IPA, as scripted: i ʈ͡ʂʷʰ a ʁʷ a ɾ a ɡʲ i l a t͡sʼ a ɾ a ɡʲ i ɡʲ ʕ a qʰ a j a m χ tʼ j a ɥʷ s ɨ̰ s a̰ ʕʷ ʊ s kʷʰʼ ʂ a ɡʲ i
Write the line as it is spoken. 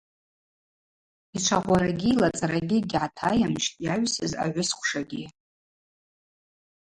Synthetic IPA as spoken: i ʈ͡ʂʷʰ a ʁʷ a ɾ a ɡʲ i l a t͡sʼ a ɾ a ɡʲ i ɡʲ ʕ a tʰ a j a m ʃ tʼ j a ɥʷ s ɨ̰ z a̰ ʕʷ ʊ s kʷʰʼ ʂ a ɡʲ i